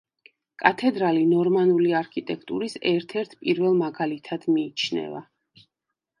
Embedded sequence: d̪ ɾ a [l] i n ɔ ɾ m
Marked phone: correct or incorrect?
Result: correct